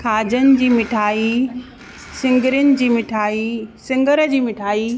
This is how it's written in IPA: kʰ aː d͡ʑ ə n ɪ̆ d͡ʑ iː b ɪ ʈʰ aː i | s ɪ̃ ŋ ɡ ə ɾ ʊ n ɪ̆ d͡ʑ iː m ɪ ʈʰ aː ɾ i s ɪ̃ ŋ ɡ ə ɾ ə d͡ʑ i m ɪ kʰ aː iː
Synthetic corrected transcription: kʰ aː d͡ʑ ə n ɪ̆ d͡ʑ iː m ɪ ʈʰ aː i | s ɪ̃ ŋ ɡ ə ɾ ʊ n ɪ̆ d͡ʑ iː m ɪ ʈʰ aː i s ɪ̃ ŋ ɡ ə ɾ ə d͡ʑ iː m ɪ ʈʰ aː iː